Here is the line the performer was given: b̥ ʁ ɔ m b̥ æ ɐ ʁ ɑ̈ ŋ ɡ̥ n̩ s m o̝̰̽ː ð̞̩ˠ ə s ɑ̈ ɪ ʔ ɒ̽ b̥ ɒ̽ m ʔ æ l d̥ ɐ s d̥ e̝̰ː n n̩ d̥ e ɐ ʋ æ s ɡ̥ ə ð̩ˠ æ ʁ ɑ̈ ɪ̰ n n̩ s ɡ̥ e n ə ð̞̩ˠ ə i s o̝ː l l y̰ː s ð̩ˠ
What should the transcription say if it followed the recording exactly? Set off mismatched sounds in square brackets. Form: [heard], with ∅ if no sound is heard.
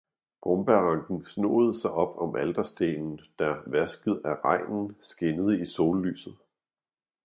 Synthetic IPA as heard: b̥ ʁ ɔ m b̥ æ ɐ ʁ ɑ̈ ŋ ɡ̥ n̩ s [n] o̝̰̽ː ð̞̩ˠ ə s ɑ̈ ɪ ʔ ɒ̽ b̥ ɒ̽ m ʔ æ l d̥ ɐ s d̥ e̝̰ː n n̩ d̥ [æ] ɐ ʋ æ s ɡ̥ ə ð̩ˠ æ ʁ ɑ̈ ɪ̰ n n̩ s ɡ̥ e n ə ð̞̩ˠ ə i s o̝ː l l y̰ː s ð̩ˠ